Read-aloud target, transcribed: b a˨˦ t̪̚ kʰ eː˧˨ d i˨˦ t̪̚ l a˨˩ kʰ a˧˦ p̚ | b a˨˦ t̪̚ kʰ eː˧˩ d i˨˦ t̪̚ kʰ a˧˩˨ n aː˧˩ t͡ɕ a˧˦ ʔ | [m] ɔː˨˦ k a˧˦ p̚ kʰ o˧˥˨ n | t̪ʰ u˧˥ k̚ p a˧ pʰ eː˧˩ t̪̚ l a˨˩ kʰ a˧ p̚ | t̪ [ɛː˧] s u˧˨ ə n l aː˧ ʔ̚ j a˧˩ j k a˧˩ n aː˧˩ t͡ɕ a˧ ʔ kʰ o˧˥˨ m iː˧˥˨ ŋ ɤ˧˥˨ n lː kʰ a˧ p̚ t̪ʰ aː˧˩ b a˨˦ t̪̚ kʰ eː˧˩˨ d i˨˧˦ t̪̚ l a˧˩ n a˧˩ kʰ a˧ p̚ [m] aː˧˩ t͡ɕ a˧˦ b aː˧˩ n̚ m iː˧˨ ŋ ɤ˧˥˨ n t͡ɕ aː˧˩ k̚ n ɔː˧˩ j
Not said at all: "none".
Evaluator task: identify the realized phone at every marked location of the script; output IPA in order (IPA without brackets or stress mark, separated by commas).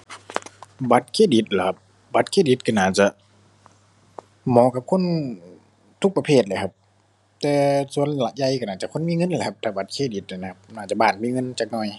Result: m, ɛː˧, n